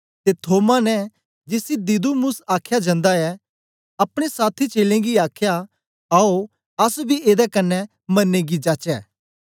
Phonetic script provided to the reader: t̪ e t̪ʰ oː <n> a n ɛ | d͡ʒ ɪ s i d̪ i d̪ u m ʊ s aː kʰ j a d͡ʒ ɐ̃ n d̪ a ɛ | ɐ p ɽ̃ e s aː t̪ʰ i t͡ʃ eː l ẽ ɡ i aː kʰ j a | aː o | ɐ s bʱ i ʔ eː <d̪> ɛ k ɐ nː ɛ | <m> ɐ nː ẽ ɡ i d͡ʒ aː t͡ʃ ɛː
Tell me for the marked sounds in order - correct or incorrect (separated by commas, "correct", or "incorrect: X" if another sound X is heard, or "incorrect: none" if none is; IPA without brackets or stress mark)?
incorrect: m, correct, correct